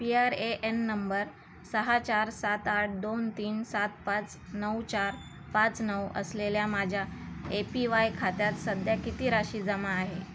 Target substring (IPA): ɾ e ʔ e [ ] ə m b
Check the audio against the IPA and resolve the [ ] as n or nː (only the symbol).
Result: nː